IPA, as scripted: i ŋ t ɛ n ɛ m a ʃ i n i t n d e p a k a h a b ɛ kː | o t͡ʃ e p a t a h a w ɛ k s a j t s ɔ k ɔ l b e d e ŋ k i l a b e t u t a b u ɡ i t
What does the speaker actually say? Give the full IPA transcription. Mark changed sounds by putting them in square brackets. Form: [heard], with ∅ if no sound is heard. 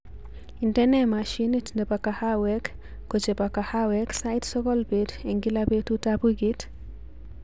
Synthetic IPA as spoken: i [n] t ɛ n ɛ m a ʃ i n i t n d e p a k a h a [w] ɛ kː | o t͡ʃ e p a [k] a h a w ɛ k s a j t s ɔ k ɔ l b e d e ŋ [ɡ] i l a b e t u t a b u ɡ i t